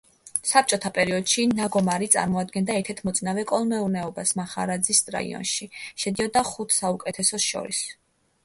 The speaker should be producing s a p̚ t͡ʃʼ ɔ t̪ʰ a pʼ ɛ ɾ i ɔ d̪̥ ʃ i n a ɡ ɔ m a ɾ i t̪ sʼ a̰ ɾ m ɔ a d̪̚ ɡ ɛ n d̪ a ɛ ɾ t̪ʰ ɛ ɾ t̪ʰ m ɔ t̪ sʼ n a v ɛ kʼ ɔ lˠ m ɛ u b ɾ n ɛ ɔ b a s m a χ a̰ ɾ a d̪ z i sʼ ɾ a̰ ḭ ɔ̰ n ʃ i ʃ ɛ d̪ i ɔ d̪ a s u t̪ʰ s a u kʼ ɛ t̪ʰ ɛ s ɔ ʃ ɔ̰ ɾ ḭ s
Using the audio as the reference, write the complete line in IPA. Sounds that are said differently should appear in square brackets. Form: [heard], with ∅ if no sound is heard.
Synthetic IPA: s a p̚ t͡ʃʼ ɔ t̪ʰ a pʼ ɛ ɾ i ɔ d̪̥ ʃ i n a ɡ ɔ m a ɾ i t̪ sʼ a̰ ɾ m ɔ a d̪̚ ɡ ɛ n d̪ a ɛ ɾ t̪ʰ ɛ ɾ t̪ʰ m ɔ t̪ sʼ n a v ɛ kʼ ɔ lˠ m ɛ u [∅] ɾ n ɛ ɔ b a s m a χ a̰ ɾ a d̪ z i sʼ ɾ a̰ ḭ ɔ̰ n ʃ i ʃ ɛ d̪ i ɔ d̪ a [χ] u t̪ʰ s a u kʼ ɛ t̪ʰ ɛ s ɔ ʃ ɔ̰ ɾ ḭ s